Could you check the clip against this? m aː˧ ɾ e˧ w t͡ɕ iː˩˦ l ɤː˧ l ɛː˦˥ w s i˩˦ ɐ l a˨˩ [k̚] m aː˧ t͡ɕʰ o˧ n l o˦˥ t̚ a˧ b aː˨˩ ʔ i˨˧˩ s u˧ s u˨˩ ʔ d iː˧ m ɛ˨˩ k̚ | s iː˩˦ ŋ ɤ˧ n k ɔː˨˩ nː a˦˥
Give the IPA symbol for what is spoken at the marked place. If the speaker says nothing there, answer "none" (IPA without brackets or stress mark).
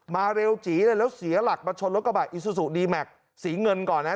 k̚